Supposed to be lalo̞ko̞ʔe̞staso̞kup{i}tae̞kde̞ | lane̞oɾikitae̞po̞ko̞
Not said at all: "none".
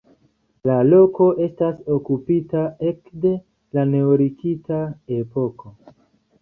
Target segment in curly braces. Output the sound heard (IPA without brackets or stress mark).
i